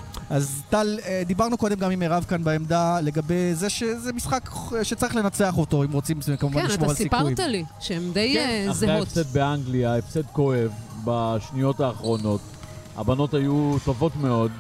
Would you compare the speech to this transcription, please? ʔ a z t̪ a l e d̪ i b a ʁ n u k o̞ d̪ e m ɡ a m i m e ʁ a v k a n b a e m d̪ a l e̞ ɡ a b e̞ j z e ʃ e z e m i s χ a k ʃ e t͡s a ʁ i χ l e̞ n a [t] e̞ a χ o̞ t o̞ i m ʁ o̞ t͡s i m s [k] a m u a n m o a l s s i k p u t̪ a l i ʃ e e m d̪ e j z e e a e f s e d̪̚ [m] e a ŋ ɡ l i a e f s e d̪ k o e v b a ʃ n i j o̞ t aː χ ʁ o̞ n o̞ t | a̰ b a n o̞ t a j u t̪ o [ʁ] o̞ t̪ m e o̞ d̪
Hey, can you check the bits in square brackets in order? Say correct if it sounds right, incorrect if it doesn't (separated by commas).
incorrect, correct, incorrect, incorrect